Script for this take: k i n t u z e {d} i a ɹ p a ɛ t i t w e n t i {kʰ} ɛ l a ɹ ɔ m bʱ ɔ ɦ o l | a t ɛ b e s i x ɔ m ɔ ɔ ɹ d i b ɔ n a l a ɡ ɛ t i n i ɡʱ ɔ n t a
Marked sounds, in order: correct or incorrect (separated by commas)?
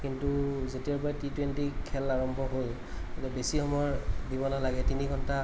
incorrect, correct